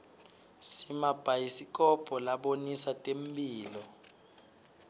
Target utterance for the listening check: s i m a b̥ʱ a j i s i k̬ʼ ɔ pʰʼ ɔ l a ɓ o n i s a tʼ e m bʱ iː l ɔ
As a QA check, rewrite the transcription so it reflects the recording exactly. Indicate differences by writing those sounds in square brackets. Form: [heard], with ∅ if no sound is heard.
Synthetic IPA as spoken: s i m a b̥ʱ a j i s i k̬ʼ ɔ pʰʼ ɔ l a ɓ o n i s a tʼ e m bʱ iː l ɔ